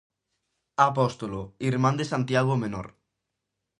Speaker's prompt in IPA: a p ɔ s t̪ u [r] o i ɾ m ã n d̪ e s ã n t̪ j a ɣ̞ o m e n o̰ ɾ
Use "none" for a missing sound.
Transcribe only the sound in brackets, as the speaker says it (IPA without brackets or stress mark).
l